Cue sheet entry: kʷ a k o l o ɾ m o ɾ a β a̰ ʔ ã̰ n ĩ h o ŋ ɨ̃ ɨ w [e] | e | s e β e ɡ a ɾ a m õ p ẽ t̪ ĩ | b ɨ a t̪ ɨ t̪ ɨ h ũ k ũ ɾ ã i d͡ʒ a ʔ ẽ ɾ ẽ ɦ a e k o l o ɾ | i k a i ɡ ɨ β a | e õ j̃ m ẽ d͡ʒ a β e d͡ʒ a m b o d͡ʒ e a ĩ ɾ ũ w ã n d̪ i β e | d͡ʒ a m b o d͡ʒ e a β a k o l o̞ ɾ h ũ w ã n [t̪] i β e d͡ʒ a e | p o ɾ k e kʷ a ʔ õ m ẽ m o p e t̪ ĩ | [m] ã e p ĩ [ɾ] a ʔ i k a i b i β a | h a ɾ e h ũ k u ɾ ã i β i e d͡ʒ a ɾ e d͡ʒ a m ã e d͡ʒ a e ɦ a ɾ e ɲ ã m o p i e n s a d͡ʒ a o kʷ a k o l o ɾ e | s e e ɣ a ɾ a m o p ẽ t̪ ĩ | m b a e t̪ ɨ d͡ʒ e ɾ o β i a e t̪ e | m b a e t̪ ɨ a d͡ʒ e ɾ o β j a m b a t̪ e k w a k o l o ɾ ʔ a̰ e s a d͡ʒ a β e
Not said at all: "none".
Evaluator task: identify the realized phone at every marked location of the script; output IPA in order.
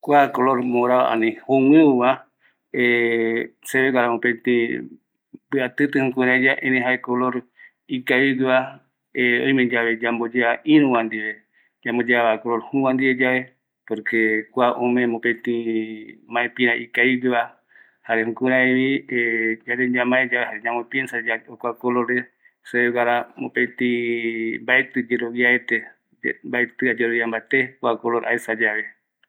a, d̪, m, ɾ

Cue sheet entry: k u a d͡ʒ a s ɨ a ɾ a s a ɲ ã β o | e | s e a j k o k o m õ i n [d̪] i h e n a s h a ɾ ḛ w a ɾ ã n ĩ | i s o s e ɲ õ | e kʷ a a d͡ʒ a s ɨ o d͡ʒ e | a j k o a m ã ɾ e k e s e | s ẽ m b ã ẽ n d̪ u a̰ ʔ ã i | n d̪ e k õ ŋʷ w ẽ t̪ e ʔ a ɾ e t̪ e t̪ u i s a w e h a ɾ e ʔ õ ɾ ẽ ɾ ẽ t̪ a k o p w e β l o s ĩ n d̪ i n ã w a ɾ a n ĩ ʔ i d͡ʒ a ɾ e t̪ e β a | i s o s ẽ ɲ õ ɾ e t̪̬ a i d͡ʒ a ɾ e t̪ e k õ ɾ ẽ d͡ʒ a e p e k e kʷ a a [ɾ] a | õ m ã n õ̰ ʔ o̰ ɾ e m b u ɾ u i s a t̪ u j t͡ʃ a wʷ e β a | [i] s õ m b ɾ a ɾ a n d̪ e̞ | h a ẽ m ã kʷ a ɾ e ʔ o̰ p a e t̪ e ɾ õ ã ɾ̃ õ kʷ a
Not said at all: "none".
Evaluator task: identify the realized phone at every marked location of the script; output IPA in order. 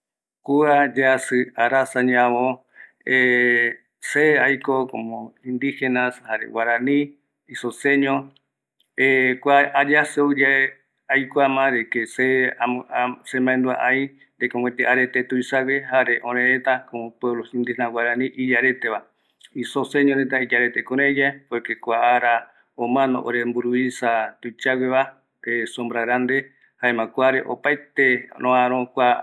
d̪, ɾ, e

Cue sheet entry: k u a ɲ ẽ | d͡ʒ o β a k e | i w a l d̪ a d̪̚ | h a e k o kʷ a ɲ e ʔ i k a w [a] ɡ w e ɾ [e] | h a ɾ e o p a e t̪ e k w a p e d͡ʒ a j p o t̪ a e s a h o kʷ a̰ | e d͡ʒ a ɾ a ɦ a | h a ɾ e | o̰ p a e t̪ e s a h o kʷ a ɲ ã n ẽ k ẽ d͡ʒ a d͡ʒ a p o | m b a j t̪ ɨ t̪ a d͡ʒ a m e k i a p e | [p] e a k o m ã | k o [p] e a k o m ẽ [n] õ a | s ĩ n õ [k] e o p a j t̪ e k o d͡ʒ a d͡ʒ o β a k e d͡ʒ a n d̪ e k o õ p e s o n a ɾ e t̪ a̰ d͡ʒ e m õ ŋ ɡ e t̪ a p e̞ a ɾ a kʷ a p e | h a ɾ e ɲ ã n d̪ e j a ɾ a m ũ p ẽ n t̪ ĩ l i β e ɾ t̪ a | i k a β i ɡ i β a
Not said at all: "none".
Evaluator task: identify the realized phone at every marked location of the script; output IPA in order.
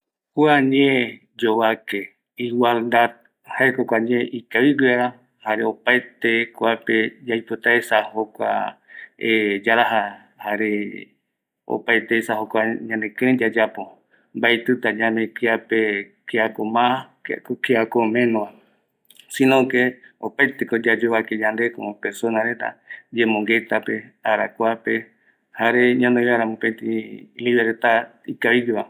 i, a, k, k, n, k

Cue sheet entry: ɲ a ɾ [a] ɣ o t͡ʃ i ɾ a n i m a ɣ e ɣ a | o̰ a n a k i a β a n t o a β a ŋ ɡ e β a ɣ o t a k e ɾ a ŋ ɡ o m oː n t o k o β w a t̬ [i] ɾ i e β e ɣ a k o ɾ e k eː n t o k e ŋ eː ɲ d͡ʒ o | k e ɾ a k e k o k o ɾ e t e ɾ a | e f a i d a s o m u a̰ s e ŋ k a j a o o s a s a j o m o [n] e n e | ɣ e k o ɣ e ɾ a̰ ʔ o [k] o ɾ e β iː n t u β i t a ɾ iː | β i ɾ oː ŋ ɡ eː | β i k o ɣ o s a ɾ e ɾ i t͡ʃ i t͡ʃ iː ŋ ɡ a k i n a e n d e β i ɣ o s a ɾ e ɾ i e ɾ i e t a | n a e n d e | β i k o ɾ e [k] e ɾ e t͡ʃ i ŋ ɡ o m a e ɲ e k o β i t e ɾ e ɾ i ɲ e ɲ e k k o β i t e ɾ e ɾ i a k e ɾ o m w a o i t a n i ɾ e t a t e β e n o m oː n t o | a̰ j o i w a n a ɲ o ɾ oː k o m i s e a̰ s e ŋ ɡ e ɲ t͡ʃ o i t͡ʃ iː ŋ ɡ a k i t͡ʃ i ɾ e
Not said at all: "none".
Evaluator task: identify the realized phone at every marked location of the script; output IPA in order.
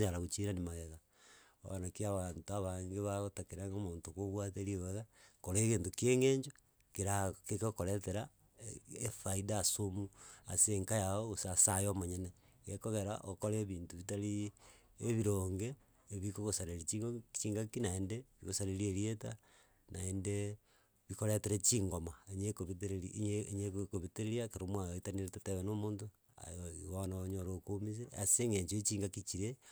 a, e, ɲ, k, t

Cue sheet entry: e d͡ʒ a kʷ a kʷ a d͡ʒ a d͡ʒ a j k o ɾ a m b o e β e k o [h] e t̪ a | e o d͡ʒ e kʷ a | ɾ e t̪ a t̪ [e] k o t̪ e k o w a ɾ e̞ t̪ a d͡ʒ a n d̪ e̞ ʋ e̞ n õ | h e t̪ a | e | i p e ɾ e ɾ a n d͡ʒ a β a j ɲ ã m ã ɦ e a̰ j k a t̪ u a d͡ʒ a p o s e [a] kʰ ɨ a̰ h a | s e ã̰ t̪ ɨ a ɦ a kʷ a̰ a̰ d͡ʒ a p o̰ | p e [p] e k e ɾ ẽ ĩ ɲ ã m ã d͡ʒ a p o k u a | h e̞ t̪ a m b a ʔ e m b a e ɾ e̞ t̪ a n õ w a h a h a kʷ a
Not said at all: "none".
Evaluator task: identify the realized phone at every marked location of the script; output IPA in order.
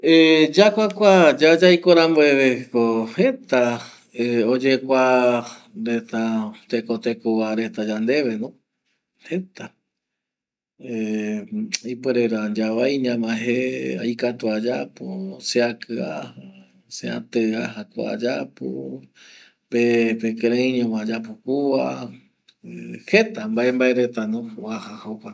h, e, a, p

